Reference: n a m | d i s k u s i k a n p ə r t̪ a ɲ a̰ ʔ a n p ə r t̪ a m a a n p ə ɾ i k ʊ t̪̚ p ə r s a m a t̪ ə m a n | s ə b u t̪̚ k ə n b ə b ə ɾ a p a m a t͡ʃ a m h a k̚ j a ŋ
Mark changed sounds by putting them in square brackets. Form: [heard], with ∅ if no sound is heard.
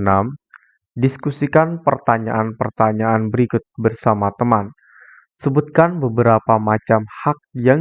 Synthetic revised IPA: n a m | d i s k u s i k a n p ə r t̪ a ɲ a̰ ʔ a n p ə r t̪ a [ɲ] a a n [b] ə ɾ i k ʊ t̪̚ [b] ə r s a m a t̪ ə m a n | s ə b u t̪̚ k [a] n b ə b ə ɾ a p a m a t͡ʃ a m h a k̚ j a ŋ